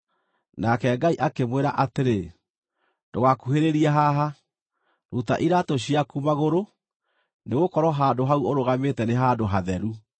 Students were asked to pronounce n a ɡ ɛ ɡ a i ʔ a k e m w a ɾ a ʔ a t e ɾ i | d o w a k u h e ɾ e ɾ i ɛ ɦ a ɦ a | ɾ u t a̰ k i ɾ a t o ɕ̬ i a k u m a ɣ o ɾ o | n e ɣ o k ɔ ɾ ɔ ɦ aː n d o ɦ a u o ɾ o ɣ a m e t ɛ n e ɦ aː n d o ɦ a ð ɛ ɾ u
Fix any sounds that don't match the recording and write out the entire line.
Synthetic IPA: n a k ɛ ɡ a i ʔ a k e m w e ɾ a ʔ a t e ɾ e | d o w a k u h e ɾ e ɾ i ɛ ɦ a ɦ a | ɾ u t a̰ ʔ i ɾ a t o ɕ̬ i a k u m a ɣ o ɾ o | n e ɣ o k ɔ ɾ ɔ ɦ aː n d o ɦ a u o ɾ o ɣ a m e t ɛ n e ɦ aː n d o ɦ a ð ɛ ɾ u

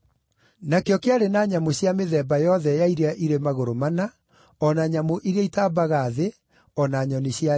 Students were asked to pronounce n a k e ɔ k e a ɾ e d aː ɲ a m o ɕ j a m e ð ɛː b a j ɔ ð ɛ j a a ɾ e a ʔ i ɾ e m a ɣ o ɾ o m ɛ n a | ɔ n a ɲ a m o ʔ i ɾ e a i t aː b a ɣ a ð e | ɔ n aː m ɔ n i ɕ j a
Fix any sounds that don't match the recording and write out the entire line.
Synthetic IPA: n a k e ɔ k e a ɾ e n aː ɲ a m o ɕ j a m e ð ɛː b a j ɔ ð ɛ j a i ɾ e a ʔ i ɾ e m a ɣ o ɾ o m a n a | ɔ n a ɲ a m o ʔ i ɾ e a i t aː b a ɣ a ð e | ɔ n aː ɲ ɔ n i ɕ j a

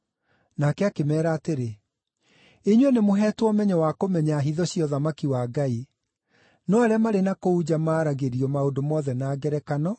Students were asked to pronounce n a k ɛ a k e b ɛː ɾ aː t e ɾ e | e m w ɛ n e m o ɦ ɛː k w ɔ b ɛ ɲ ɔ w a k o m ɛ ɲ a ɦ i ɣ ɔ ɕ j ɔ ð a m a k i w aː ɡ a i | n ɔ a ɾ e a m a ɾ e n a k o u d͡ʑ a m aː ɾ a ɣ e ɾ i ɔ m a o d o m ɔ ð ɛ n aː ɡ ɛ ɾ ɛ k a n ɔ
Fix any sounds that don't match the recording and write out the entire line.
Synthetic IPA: n a k ɛ a k e m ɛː ɾ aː t e ɾ e | e ɲ w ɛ n e m o ɦ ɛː t w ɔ m ɛ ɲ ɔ w a k o m ɛ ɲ a ɦ i ð ɔ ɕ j ɔ ð a m a k i w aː ɡ a i | n ɔ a ɾ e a m a ɾ e n a k o u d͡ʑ a m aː ɾ a ɣ e ɾ i ɔ m a o d o m ɔ ð ɛ n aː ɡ ɛ ɾ ɛ k a n ɔ

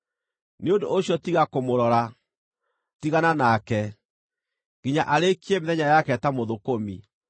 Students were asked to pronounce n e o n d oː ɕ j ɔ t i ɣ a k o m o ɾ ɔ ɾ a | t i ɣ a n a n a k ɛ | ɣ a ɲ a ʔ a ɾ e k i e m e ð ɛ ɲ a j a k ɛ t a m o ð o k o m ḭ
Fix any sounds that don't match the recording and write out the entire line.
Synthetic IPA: n e o n d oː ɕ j ɔ t i ɣ a k o m o ɾ ɔ ɾ a | t i ɣ a n a n a k ɛ | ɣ i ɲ a ʔ a ɾ e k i e m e ð ɛ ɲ a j a k ɛ t a m o ð o k o m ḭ

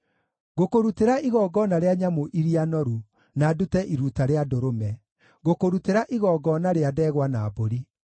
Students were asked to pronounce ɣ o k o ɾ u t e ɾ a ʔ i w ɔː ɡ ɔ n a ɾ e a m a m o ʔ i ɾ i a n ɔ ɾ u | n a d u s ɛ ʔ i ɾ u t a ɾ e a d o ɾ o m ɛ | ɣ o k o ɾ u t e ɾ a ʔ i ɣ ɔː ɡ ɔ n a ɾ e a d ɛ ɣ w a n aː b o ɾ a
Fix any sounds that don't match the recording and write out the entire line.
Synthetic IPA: ɣ o k o ɾ u t e ɾ a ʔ i ɣ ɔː ɡ ɔ n a ɾ e a ɲ a m o ʔ i ɾ i a n ɔ ɾ u | n a d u t ɛ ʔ i ɾ u t a ɾ e a d o ɾ o m ɛ | ɣ o k o ɾ u t e ɾ a ʔ i ɣ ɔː ɡ ɔ n a ɾ e a d ɛ ɣ w a n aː b o ɾ i

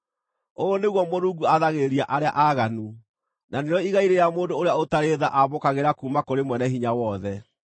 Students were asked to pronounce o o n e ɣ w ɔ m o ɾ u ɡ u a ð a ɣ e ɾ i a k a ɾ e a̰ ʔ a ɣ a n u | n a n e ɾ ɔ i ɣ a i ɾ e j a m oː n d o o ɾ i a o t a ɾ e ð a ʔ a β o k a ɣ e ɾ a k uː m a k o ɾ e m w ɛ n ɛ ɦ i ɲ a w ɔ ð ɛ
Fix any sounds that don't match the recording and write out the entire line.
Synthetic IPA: o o n e ɣ w ɔ m o ɾ u ɡ u a ð a ɣ e ɾ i a ʔ a ɾ e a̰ ʔ a ɣ a n u | n a n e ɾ ɔ i ɣ a i ɾ e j a m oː n d o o ɾ e a o t a ɾ e ð a ʔ a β o k a ɣ e ɾ a k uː m a k o ɾ e m w ɛ n ɛ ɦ i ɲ a w ɔ ð ɛ

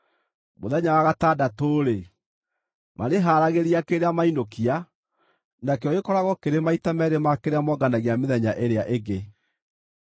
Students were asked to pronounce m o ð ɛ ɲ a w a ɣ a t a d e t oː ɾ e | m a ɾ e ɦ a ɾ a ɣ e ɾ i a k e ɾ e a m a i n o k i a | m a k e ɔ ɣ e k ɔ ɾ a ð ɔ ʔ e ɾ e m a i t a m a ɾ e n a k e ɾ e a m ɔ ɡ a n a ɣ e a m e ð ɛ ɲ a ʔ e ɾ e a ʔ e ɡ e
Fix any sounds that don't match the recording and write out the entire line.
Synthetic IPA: m o ð ɛ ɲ a w a ɣ a t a d a t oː ɾ e | m a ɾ e ɦ a ɾ a ɣ e ɾ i a k e ɾ e a m a i n o k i a | n a k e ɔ ɣ e k ɔ ɾ a ɣ ɔ k e ɾ e m a i t a m ɛ ɾ e m a k e ɾ e a m ɔ ɡ a n a ɣ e a m e ð ɛ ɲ a ʔ e ɾ e a ʔ e ɡ e

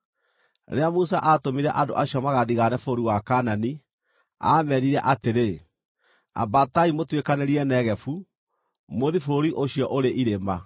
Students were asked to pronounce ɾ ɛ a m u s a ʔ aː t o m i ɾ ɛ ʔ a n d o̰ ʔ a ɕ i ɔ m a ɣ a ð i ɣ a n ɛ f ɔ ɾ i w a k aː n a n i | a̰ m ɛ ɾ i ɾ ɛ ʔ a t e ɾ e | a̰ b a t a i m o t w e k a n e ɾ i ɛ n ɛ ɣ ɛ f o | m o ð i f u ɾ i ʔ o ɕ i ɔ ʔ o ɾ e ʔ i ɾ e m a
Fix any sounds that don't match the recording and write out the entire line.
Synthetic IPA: ɾ e a m u s a ʔ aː t o m i ɾ ɛ ʔ a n d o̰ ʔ a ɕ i ɔ m a ɣ a ð i ɣ a n ɛ f o ɾ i w a k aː n a n i | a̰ m ɛ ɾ i ɾ ɛ ʔ a t e ɾ e | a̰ b a t a i m o t w e k a n e ɾ i ɛ n ɛ ɣ ɛ f u | m o ð i f o ɾ i ʔ o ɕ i ɔ ʔ o ɾ e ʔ i ɾ e m a

